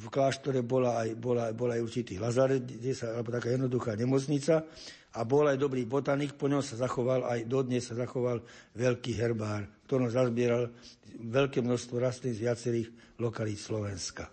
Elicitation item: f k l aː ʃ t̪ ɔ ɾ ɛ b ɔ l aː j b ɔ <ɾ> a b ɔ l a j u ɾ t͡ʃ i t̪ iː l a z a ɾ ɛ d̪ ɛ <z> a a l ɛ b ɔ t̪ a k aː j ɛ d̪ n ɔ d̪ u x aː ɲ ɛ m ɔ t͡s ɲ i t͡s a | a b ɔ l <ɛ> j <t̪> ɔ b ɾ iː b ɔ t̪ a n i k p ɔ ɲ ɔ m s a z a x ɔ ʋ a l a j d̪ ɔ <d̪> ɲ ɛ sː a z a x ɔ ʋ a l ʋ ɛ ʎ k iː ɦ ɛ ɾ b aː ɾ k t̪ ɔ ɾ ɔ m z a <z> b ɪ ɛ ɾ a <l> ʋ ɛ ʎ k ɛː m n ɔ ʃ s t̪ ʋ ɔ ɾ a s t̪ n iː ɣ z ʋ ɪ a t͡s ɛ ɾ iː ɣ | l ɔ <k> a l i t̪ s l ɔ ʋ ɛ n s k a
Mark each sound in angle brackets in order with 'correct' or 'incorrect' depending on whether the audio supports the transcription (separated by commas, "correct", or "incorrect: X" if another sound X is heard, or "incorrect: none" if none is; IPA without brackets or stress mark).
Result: incorrect: l, incorrect: s, incorrect: a, incorrect: d̪, correct, correct, correct, correct